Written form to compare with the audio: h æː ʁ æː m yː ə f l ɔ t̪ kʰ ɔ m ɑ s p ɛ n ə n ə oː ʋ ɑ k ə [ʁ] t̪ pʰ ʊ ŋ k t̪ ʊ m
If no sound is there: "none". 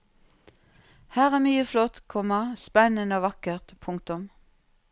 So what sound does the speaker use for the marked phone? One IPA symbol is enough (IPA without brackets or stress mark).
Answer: ʁ